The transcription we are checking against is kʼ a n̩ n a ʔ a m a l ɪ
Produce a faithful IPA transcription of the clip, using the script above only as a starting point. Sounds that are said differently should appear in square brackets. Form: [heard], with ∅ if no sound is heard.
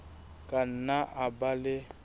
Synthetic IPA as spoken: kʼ a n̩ n a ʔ a [b] a l ɪ